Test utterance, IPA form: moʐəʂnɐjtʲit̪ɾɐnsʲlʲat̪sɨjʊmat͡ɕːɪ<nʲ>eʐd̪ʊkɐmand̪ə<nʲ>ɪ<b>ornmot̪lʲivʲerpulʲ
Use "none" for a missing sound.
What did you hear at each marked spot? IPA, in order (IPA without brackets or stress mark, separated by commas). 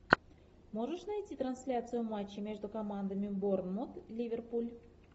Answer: mʲ, mʲ, b